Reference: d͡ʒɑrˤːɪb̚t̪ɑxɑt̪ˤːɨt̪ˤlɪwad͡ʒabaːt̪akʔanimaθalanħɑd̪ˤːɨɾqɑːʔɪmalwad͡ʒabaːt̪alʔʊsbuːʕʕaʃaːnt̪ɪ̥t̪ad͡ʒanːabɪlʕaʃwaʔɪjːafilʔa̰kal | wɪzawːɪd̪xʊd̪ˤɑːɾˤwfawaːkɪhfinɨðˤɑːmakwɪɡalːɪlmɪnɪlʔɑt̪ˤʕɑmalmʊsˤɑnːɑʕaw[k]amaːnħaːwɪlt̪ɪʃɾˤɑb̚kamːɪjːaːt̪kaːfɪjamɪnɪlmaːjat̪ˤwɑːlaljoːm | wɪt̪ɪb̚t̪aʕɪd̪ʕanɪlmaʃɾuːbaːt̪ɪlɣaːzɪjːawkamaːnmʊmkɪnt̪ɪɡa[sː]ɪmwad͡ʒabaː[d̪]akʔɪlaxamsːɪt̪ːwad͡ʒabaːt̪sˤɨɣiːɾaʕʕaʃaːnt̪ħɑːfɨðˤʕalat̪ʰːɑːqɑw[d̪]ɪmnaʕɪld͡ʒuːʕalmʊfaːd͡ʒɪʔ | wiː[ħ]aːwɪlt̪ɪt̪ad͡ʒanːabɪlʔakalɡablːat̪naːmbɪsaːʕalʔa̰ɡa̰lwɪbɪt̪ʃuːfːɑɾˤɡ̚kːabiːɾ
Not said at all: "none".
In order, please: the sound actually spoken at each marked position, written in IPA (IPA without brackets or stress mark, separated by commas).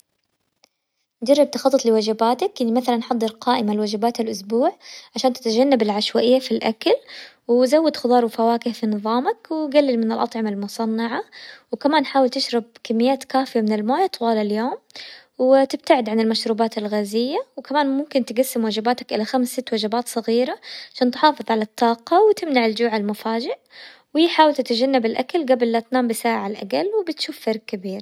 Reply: k, sː, t̪, t̪, ħ